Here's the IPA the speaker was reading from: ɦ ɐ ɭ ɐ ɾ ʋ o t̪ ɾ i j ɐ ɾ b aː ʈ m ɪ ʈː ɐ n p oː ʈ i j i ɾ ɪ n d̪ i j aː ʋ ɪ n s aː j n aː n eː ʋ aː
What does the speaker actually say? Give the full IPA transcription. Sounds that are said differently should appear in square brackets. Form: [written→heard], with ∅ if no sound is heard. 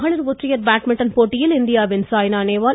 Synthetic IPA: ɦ ɐ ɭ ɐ ɾ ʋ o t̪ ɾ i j ɐ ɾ b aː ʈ m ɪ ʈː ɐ n p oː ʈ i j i [ɾ→l] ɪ n d̪ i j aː ʋ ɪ n s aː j n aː n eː ʋ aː